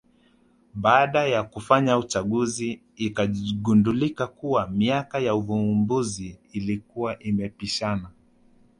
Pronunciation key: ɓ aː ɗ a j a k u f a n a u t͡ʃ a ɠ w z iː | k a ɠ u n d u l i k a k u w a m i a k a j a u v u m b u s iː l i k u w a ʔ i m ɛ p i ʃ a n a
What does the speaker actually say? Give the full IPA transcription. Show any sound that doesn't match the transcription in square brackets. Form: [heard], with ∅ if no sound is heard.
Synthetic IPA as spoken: ɓ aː ɗ a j a k u f a [ɲ] a u t͡ʃ a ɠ [u] z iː | k a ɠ u n d u l i k a k u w a m i a k a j a u v u m b u [z] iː l i k u w a ʔ i m ɛ p i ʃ a n a